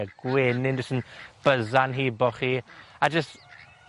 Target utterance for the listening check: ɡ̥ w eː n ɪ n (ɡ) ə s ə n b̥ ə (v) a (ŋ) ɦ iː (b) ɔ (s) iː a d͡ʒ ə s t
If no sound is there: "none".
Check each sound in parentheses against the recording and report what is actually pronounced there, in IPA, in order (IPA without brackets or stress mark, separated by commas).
d, z, n, b, χ